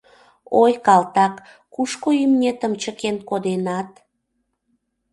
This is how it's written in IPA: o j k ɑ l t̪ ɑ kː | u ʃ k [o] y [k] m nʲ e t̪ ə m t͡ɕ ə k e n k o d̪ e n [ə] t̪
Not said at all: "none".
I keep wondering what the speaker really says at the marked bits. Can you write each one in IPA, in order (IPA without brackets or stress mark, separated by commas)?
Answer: o, none, ɑ